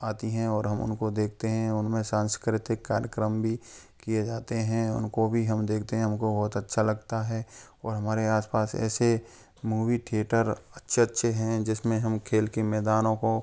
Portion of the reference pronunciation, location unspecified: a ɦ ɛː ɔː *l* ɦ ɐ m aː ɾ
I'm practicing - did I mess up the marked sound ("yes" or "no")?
yes